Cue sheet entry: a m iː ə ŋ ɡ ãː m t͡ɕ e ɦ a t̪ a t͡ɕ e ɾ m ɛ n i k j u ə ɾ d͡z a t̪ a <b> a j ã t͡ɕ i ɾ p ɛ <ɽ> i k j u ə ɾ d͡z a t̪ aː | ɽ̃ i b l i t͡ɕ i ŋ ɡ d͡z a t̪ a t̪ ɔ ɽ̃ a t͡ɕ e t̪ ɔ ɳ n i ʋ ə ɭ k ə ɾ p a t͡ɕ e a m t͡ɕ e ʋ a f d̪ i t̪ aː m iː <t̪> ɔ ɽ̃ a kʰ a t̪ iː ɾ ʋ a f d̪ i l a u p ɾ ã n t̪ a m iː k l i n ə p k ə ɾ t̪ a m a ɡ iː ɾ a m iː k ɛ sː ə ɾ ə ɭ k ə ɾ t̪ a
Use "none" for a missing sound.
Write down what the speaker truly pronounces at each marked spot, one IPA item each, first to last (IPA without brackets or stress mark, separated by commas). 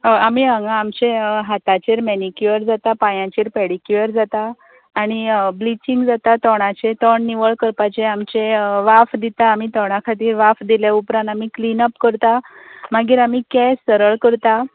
p, ɽ, t̪